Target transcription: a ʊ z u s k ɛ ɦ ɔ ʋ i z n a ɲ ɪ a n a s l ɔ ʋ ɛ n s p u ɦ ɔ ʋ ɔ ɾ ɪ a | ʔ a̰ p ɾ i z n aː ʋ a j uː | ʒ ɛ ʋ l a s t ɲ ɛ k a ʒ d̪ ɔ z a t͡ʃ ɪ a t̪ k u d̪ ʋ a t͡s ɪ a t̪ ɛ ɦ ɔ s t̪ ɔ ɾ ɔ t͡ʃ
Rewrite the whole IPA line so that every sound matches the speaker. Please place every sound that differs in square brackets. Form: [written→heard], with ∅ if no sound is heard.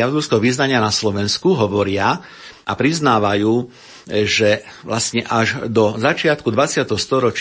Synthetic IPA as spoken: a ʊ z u s k ɛ ɦ ɔ ʋ i z n a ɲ ɪ a n a s l ɔ ʋ ɛ n s [p→k] u ɦ ɔ ʋ ɔ ɾ ɪ a | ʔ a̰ p ɾ i z n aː ʋ a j uː | ʒ ɛ ʋ l a s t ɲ ɛ [k→ʔ] a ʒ d̪ ɔ z a t͡ʃ ɪ a t̪ k u d̪ ʋ a t͡s ɪ a t̪ ɛ ɦ ɔ s t̪ ɔ ɾ ɔ t͡ʃ